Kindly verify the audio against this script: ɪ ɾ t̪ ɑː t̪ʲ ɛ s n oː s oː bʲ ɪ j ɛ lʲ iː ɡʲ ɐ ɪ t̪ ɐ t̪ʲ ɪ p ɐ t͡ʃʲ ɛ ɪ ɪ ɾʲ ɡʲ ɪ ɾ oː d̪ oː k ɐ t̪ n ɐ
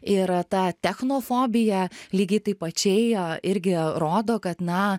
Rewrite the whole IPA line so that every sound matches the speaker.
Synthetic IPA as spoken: ɪ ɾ t̪ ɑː t̪ʲ ɛ x n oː f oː bʲ ɪ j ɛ lʲ iː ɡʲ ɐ ɪ t̪ ɐ ɪ p ɐ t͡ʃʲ ɛ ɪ ɪ ɾʲ ɡʲ ɪ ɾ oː d̪ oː k ɐ t̪ n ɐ

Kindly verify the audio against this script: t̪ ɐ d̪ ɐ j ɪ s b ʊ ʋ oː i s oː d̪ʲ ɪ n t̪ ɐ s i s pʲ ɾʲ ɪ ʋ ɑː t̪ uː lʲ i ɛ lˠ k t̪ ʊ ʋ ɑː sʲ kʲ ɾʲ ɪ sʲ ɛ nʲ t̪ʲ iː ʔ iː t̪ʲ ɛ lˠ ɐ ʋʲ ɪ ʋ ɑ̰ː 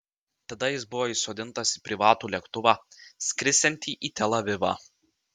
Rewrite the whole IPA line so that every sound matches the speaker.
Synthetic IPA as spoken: t̪ ɐ d̪ ɐ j ɪ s b ʊ ʋ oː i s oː d̪ʲ ɪ n t̪ ɐ s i pʲ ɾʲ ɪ ʋ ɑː t̪ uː lʲ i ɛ k t̪ ʊ ʋ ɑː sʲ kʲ ɾʲ ɪ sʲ ɛ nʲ t̪ʲ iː ʔ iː t̪ʲ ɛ lˠ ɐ ʋʲ ɪ ʋ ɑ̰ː

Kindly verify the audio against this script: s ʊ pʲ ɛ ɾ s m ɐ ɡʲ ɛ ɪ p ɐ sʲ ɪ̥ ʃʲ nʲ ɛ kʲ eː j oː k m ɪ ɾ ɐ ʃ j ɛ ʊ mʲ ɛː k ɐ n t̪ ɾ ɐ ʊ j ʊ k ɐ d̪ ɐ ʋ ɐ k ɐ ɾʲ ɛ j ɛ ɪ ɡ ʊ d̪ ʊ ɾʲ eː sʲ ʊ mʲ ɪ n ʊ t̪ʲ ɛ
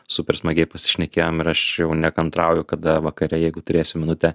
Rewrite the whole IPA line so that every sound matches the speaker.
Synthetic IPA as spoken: s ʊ pʲ ɛ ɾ s m ɐ ɡʲ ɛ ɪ p ɐ sʲ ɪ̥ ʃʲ nʲ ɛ kʲ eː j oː m ɪ ɾ ɐ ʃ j ɛ ʊ nʲ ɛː k ɐ n t̪ ɾ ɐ ʊ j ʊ k ɐ d̪ ɐ ʋ ɐ k ɐ ɾʲ ɛ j ɛ ɪ ɡ ʊ t̪ ʊ ɾʲ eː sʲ ʊ mʲ ɪ n ʊ t̪ʲ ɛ

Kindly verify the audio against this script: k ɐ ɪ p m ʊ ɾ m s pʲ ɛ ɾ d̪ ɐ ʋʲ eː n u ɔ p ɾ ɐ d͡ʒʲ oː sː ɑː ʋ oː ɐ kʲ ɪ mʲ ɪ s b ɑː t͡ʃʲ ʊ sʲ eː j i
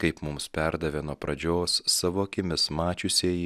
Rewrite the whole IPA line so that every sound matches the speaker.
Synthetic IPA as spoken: k ɐ ɪ p m ʊ m s pʲ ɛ ɾ d̪ ɐ ʋʲ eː n u ɔ p ɾ ɐ d͡ʒʲ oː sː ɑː ʋ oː ɐ kʲ ɪ mʲ ɪ s m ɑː t͡ʃʲ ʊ sʲ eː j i

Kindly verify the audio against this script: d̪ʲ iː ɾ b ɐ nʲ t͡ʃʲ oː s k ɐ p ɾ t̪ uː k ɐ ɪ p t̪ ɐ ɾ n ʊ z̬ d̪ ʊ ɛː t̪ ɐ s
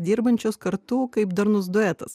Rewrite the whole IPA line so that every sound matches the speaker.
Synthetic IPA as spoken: d̪ʲ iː ɾ b ɐ nʲ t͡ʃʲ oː s k ɐ ɾ t̪ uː k ɐ ɪ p d̪ ɐ ɾ n ʊ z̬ d̪ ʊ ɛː t̪ ɐ s

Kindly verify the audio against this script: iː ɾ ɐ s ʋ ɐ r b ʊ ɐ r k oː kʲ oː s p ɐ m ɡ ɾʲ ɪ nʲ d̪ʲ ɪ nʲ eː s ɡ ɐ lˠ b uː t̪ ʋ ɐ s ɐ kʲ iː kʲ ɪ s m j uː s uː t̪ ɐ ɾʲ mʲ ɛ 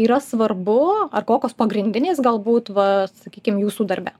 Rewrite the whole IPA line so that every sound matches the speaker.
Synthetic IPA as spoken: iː ɾ ɐ s ʋ ɐ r b ʊ ɐ r k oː kʲ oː s p ɐ ɡ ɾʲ ɪ nʲ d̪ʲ ɪ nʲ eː s ɡ ɐ lˠ b uː t̪ ʋ ɐ s ɐ kʲ iː kʲ ɪ m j uː s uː d̪ ɐ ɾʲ bʲ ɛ

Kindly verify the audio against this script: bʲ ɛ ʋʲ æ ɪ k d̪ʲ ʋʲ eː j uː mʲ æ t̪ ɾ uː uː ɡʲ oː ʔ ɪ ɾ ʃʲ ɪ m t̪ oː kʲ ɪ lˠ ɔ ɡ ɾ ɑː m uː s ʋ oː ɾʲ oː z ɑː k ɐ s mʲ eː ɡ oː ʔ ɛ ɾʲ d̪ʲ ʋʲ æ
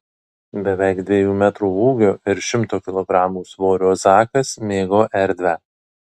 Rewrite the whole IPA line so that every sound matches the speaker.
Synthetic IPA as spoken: bʲ ɛ ʋʲ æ ɪ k d̪ʲ ʋʲ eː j uː mʲ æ t̪ ɾ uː uː ɡʲ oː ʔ ɪ ɾ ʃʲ ɪ m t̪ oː kʲ ɪ lˠ ɔ ɡ ɾ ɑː m uː s ʋ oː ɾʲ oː z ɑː k ɐ s mʲ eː ɡ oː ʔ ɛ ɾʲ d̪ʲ ʋʲ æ

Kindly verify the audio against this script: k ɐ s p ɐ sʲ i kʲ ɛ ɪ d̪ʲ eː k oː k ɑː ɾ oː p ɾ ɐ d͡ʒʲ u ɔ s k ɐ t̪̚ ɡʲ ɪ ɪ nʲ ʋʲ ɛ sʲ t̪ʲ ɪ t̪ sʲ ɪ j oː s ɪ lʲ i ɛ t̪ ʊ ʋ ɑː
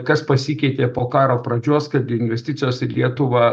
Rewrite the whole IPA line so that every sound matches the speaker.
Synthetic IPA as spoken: k ɐ s p ɐ sʲ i kʲ ɛ ɪ t̪ʲ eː p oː k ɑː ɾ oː p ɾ ɐ d͡ʒʲ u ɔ s k ɐ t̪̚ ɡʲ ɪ ɪ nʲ ʋʲ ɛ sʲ t̪ʲ ɪ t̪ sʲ ɪ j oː s ɪ lʲ i ɛ t̪ ʊ ʋ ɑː

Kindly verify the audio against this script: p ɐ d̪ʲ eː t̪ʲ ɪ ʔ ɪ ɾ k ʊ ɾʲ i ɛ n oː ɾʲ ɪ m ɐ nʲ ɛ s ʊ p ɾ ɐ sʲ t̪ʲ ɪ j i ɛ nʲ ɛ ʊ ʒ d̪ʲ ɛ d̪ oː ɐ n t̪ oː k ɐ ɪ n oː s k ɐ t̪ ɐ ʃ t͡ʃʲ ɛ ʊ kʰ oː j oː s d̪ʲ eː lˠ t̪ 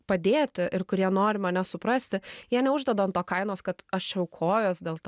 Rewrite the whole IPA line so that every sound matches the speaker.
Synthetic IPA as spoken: p ɐ d̪ʲ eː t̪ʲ ɪ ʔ ɪ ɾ k ʊ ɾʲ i ɛ n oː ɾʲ ɪ m ɐ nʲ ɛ s ʊ p ɾ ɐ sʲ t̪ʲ ɪ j i ɛ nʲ ɛ ʊ ʒ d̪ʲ ɛ d̪ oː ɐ n t̪ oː k ɐ ɪ n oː s k ɐ t̪ ɐ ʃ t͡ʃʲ ɛ ʊ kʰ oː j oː s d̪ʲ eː lˠ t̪

